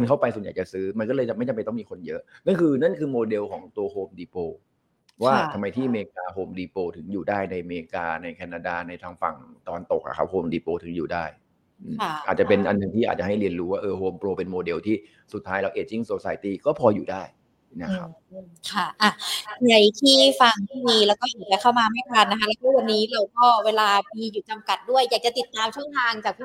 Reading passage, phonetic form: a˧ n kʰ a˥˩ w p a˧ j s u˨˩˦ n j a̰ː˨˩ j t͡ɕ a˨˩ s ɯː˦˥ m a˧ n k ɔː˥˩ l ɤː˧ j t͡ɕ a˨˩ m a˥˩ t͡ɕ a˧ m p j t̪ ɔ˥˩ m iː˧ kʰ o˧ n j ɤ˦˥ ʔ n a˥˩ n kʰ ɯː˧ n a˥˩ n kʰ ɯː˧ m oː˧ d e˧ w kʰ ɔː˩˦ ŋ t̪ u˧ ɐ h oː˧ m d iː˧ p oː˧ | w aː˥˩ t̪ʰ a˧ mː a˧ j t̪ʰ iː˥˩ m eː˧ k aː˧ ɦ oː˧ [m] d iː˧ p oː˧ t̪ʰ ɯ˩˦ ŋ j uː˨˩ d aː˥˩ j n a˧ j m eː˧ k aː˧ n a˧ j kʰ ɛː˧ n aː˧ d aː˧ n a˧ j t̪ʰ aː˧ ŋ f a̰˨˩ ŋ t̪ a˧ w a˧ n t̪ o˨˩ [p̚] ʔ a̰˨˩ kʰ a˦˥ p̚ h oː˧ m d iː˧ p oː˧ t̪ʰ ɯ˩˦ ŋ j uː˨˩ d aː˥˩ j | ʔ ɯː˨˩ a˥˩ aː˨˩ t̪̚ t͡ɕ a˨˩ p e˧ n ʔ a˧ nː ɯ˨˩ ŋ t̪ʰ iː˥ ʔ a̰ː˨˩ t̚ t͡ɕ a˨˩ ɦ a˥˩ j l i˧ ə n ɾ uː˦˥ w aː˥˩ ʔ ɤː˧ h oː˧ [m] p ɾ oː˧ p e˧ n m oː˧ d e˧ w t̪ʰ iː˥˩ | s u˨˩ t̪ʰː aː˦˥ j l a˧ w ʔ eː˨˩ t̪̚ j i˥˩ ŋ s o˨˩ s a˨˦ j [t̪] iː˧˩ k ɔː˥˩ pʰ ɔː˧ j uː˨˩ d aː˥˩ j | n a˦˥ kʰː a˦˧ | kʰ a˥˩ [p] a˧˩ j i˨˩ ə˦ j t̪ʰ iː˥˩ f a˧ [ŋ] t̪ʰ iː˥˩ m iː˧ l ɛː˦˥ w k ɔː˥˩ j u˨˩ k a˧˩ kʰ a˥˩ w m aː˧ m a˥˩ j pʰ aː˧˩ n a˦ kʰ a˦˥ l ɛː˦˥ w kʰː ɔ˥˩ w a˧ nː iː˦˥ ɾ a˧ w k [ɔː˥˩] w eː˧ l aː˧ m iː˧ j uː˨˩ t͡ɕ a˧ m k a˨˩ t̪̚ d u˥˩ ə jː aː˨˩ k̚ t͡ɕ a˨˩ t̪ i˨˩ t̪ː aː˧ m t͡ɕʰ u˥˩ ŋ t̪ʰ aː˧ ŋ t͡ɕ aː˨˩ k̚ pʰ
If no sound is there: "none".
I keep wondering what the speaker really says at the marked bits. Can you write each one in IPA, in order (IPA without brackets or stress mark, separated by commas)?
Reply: m, k̚, m, t̪, ʔ, ŋ, ɔː˥˩